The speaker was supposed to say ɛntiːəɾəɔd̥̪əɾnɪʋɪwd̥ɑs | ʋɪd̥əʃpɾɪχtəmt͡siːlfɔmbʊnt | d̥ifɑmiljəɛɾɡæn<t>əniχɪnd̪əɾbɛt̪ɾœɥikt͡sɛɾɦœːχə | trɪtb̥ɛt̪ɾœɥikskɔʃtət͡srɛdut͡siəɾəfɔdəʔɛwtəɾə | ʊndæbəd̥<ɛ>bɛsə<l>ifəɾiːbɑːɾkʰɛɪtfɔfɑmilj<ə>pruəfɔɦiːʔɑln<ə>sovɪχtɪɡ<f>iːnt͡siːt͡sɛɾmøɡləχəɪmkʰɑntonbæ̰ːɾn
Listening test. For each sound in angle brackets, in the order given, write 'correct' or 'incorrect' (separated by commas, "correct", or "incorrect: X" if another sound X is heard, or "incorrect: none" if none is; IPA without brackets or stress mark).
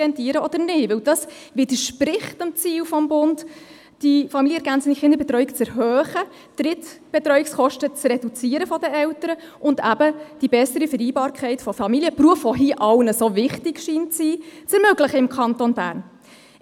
incorrect: t͡s, incorrect: i, incorrect: ɾ, correct, correct, incorrect: ʃ